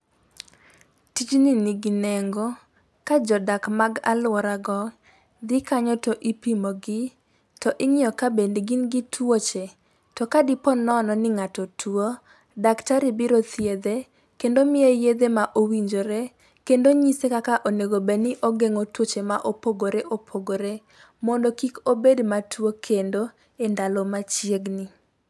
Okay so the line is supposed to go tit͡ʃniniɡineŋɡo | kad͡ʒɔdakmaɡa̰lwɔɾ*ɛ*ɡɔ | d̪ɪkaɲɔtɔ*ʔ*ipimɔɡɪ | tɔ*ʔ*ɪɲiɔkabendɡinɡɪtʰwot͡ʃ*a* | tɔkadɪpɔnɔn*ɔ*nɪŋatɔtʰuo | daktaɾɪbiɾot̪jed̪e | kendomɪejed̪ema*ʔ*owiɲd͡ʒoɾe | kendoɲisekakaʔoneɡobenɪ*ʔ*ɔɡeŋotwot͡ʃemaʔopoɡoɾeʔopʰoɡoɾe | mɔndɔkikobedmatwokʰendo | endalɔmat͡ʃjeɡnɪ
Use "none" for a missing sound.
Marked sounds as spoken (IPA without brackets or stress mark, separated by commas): a, ʔ, ʔ, e, ɔ, ʔ, ʔ